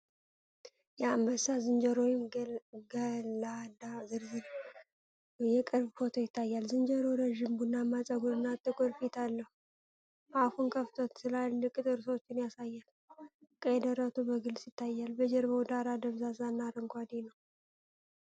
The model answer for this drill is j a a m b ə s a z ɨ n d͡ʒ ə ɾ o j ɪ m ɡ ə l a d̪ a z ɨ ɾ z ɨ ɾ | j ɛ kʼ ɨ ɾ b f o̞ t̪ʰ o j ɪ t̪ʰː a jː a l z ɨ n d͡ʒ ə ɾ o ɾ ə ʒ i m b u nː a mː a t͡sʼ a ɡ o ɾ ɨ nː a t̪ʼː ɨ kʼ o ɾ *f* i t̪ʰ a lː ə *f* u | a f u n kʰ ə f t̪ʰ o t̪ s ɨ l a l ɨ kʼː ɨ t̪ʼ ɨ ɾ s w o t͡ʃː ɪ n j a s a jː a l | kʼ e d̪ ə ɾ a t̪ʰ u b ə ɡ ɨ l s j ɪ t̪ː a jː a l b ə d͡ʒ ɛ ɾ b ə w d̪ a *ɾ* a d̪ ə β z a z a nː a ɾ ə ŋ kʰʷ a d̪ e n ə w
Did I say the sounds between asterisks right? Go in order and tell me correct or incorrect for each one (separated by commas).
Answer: correct, incorrect, correct